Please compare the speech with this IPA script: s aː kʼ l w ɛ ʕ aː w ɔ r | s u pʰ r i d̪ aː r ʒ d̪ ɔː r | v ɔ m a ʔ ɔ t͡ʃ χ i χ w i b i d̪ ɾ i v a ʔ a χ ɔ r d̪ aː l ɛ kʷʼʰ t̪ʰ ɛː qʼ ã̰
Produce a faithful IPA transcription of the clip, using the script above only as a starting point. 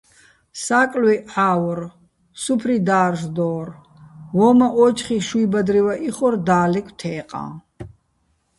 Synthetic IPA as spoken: s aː kʼ l w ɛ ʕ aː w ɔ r | s u pʰ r i d̪ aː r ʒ d̪ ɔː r | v ɔ m a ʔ ɔ t͡ʃ χ i ʃ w i b a d̪ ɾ i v a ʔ i χ ɔ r d̪ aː l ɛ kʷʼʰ t̪ʰ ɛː qʼ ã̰